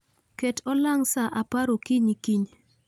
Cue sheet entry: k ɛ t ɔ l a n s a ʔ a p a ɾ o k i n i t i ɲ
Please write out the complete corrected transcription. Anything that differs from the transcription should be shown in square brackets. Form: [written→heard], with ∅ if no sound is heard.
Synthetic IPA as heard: k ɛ t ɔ l a [n→ŋ] s a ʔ a p a ɾ o k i [n→ɲ] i [t→k] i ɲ